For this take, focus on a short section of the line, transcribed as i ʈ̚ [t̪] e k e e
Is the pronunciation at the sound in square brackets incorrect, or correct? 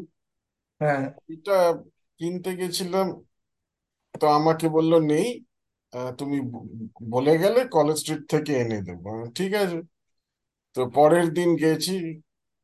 incorrect